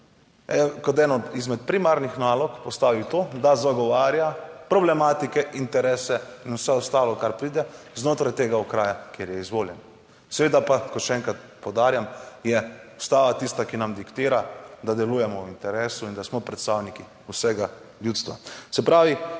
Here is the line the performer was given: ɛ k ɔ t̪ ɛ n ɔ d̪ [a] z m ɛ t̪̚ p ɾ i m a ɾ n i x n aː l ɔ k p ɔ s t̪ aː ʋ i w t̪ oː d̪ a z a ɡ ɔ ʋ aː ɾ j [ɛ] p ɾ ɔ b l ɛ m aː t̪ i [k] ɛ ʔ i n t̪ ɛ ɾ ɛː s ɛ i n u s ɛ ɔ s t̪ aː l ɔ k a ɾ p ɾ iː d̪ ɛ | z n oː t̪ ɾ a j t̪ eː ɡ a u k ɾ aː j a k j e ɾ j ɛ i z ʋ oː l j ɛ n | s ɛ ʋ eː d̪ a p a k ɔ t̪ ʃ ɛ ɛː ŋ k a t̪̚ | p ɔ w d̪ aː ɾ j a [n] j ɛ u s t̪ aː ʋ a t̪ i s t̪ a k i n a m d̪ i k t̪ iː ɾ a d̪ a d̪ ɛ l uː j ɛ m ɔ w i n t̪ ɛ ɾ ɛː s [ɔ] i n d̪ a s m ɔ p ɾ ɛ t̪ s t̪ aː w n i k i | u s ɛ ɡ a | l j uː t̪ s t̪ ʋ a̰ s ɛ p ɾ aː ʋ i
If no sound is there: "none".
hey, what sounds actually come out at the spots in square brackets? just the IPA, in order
i, a, k, m, u

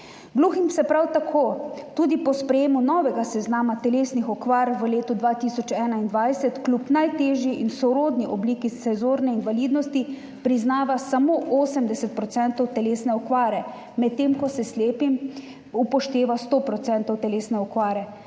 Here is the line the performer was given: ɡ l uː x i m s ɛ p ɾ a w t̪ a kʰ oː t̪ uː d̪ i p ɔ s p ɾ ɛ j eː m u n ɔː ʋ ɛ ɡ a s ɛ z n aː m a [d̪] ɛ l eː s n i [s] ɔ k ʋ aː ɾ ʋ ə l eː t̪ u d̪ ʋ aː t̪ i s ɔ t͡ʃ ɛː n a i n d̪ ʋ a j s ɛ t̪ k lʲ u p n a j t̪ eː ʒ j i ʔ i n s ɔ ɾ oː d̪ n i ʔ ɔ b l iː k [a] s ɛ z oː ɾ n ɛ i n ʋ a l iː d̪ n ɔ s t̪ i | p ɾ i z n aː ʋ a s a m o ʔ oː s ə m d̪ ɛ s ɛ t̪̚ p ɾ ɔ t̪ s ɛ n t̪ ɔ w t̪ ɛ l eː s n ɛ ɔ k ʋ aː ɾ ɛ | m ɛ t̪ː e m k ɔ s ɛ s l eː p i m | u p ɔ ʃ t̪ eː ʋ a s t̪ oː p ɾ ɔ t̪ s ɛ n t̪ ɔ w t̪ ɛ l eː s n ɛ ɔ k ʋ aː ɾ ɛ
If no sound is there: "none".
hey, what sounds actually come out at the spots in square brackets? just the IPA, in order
t̪, x, i

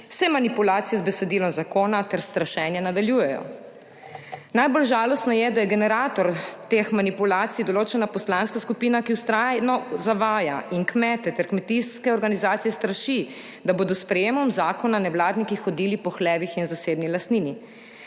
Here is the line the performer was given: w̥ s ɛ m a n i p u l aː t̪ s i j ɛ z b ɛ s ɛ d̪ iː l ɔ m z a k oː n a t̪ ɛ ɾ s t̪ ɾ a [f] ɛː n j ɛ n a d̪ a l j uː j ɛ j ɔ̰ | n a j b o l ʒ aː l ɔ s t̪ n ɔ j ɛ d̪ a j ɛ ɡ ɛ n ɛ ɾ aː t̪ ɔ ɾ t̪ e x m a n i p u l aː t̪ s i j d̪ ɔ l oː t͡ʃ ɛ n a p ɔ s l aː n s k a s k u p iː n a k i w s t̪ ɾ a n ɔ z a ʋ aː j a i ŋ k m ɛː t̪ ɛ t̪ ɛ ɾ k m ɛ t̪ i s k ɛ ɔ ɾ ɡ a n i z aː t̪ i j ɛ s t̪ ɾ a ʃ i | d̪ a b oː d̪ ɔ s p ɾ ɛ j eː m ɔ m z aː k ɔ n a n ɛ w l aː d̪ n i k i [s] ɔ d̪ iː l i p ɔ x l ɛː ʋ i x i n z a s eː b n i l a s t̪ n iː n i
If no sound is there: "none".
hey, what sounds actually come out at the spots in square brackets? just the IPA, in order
ʃ, x

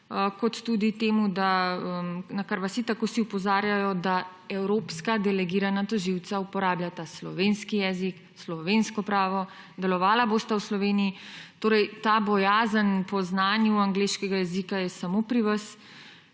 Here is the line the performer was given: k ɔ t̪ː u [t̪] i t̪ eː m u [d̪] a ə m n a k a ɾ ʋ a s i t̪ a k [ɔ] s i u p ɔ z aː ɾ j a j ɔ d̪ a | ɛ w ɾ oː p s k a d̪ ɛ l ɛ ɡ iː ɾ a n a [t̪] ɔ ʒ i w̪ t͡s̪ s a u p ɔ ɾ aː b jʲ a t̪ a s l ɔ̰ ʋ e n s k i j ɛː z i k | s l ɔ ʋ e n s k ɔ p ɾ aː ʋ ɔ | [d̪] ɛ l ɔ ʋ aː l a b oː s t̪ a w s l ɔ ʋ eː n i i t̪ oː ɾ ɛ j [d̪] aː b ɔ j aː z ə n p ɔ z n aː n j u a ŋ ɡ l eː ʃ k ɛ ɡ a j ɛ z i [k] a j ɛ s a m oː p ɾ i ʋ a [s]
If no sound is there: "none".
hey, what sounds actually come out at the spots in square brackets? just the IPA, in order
d̪, d̪, o, t̪, d̪, t̪, k, s

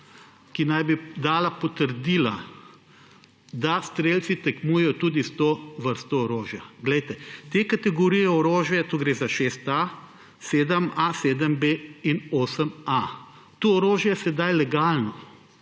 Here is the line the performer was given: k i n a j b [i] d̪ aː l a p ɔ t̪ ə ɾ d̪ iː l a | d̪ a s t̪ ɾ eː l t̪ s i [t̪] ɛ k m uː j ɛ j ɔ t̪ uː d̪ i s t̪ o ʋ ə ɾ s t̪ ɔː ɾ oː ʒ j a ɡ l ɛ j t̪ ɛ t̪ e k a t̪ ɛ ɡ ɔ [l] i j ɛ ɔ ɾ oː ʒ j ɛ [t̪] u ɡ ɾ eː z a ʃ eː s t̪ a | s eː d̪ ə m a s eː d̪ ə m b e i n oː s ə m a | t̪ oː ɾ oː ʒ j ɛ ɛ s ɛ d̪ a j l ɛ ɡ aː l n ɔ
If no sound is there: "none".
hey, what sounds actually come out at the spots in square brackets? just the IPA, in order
i, t̪, ɾ, t̪

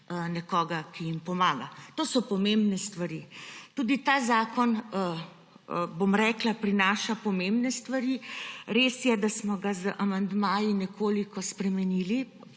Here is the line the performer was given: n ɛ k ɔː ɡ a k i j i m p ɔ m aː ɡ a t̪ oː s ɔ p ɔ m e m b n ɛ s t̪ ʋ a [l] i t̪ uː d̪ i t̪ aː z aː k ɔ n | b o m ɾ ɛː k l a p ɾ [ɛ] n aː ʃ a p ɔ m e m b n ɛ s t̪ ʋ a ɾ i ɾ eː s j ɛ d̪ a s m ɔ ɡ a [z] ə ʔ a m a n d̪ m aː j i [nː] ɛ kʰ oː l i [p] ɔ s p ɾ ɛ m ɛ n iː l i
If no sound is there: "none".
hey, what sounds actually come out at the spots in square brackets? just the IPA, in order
ɾ, i, z, n, k

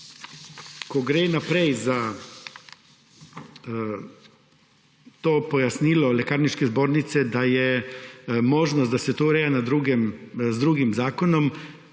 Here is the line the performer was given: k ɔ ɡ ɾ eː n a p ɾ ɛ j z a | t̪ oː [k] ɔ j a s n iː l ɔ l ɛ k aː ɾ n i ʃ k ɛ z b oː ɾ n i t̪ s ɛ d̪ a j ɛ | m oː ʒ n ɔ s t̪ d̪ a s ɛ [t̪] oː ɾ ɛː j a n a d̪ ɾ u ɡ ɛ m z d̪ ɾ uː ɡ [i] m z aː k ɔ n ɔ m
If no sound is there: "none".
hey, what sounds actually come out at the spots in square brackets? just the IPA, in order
p, t̪, i

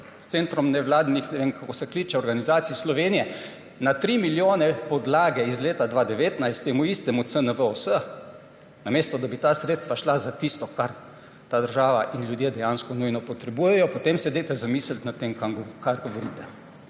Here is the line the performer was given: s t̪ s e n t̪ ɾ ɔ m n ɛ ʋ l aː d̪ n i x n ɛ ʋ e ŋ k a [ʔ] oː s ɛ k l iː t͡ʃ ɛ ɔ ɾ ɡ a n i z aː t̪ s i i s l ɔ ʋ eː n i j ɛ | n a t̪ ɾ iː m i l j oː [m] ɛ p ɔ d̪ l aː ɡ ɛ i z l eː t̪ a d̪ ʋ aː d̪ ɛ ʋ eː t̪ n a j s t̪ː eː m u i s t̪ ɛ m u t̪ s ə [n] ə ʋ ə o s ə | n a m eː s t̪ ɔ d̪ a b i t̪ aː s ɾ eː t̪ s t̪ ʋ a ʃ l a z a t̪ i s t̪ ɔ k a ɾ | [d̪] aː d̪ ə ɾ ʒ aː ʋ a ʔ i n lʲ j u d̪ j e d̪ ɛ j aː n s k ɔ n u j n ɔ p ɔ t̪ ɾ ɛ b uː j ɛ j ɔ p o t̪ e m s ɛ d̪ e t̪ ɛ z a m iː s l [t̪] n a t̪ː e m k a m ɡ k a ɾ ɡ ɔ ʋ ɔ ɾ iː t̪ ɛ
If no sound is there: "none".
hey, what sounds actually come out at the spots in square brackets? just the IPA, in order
k, n, n, t̪, t̪

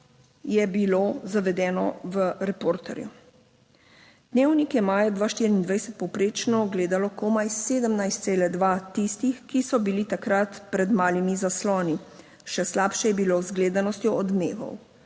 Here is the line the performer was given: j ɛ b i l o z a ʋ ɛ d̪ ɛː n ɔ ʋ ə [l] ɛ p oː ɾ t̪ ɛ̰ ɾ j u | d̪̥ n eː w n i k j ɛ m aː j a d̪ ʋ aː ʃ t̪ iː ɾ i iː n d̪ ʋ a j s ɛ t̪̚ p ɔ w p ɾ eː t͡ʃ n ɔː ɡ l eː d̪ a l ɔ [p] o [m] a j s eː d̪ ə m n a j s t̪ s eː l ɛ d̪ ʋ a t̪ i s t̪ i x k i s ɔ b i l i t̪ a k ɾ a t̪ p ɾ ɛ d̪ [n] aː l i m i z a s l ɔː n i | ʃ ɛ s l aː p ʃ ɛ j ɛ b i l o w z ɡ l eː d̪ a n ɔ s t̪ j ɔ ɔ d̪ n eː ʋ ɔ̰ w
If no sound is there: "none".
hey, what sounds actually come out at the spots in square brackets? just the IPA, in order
ɾ, k, m, m

